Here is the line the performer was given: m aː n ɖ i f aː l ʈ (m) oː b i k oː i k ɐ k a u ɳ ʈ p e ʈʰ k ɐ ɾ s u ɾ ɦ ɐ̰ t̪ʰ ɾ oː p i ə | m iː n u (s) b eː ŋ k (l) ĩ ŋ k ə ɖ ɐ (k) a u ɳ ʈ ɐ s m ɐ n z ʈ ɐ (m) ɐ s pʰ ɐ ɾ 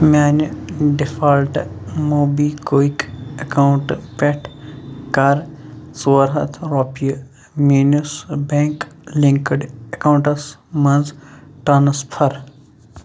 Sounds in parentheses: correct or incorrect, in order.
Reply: correct, correct, correct, correct, incorrect

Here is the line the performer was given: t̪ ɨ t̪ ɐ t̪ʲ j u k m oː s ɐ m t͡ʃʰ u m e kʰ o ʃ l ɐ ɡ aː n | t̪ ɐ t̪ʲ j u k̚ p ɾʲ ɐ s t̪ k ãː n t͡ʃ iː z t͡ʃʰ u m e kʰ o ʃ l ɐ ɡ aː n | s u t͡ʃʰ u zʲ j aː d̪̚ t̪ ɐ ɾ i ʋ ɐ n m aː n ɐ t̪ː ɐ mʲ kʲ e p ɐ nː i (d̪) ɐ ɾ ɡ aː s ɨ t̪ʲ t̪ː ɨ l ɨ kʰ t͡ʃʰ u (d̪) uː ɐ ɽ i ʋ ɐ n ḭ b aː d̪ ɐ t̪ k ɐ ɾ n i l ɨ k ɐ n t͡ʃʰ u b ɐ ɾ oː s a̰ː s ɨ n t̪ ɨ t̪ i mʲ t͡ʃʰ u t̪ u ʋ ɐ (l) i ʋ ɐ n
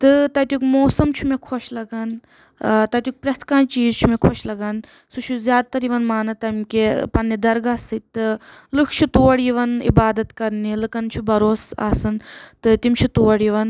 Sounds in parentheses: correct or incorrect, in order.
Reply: correct, incorrect, incorrect

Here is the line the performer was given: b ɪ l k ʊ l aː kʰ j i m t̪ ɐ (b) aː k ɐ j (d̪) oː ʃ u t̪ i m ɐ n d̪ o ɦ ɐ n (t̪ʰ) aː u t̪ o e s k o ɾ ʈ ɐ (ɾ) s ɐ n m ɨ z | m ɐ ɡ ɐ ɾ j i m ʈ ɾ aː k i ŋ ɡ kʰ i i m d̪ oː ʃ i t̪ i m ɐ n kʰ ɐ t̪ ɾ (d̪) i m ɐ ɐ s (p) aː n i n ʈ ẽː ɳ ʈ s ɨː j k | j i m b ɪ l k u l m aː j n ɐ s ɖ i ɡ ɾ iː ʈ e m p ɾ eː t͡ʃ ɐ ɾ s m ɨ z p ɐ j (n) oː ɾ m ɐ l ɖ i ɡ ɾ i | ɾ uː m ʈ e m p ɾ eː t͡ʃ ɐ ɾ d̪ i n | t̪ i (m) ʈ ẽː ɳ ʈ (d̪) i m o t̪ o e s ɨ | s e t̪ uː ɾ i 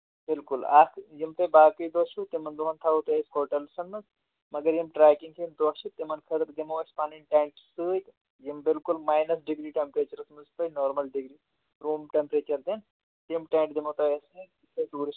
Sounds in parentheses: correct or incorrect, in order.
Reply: correct, correct, correct, incorrect, correct, correct, correct, correct, correct

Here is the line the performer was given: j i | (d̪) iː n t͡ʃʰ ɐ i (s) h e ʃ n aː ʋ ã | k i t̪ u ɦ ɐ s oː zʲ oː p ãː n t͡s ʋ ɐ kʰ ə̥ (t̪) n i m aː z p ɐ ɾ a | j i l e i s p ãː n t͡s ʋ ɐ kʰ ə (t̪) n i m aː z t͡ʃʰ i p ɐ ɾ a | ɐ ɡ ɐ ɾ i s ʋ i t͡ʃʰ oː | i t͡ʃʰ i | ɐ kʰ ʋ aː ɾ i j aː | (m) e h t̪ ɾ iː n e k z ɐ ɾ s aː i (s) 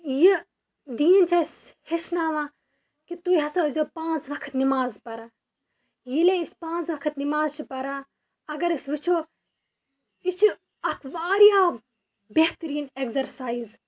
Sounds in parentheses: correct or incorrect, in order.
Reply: correct, correct, correct, correct, incorrect, incorrect

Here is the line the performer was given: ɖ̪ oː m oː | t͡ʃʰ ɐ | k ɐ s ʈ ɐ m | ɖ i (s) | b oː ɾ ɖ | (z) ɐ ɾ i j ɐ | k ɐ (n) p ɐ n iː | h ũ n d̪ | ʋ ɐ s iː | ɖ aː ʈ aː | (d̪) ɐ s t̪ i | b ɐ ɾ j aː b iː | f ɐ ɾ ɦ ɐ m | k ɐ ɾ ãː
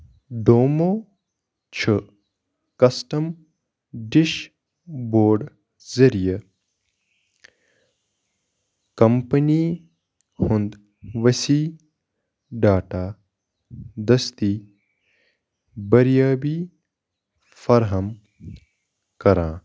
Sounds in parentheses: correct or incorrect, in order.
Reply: incorrect, correct, incorrect, correct

